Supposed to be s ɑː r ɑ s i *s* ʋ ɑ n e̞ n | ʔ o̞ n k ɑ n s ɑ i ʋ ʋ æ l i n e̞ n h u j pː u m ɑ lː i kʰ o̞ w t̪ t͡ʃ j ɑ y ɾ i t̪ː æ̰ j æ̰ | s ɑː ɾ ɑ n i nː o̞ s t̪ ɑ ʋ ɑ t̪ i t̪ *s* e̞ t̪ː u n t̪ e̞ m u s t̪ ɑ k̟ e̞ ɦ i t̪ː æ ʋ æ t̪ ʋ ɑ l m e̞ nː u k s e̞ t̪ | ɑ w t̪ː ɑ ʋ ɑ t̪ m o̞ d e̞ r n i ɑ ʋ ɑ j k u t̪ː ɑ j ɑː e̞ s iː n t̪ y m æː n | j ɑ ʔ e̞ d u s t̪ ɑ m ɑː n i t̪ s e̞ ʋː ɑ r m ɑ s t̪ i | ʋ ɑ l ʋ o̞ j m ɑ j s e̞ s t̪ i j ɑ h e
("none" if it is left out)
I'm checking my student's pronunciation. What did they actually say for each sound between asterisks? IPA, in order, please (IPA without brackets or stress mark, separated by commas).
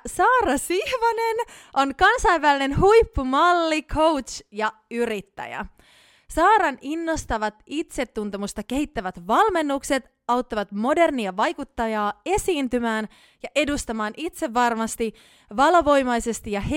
h, s